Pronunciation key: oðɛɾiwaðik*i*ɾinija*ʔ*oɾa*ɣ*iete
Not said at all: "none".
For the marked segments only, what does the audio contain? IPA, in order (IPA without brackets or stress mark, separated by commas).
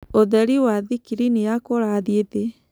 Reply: i, k, ð